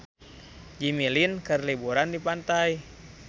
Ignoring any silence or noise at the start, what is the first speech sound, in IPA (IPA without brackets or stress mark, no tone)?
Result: d͡ʒ